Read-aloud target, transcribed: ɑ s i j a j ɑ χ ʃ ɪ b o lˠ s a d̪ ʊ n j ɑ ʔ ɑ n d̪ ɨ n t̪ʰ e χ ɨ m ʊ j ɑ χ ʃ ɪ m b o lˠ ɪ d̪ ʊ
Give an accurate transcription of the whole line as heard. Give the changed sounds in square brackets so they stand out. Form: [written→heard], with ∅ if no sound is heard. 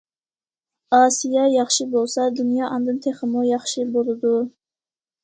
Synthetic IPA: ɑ s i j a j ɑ χ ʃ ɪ b o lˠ s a d̪ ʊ n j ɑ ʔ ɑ n d̪ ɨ n t̪ʰ e χ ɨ m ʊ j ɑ χ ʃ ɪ [m→∅] b o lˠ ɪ d̪ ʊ